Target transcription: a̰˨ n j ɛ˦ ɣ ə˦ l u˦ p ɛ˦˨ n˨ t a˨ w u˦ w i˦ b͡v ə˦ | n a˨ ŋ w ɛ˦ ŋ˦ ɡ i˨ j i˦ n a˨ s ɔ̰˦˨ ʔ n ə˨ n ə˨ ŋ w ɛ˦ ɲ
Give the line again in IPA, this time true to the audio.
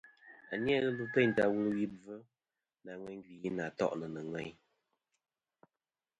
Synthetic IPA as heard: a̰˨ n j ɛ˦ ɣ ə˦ l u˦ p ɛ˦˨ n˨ t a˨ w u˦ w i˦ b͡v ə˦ | n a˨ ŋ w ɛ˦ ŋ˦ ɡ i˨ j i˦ n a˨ t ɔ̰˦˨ ʔ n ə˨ n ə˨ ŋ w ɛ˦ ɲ